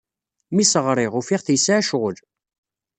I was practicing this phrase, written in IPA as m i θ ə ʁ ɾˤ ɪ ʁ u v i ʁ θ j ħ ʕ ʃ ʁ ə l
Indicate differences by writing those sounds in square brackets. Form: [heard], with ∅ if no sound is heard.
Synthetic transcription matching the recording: m i [s] ə ʁ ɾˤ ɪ ʁ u [f] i ʁ θ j [s] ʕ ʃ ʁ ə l